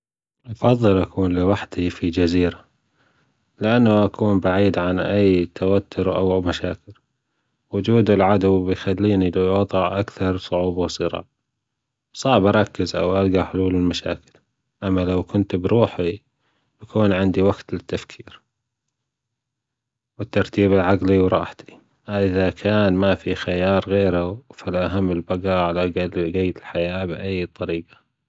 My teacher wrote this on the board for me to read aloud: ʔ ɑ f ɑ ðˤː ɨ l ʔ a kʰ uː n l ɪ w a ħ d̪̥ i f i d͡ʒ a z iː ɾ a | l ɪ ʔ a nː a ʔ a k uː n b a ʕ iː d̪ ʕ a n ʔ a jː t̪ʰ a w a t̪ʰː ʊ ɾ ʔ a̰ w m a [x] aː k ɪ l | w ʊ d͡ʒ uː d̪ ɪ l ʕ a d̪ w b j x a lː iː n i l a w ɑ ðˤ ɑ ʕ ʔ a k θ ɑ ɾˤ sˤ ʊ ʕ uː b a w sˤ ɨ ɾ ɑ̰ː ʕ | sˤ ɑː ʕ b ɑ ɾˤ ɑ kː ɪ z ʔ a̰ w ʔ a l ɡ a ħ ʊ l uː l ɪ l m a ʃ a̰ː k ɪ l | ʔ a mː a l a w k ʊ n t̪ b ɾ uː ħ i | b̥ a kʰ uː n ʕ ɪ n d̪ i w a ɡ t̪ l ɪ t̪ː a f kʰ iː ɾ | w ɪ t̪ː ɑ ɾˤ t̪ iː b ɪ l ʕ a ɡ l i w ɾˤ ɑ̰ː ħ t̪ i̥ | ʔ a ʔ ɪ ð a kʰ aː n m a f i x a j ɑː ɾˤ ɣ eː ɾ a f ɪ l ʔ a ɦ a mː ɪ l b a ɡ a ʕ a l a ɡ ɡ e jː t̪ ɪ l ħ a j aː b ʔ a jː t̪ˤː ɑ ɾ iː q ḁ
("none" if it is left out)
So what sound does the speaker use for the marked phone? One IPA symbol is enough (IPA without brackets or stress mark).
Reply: ʃ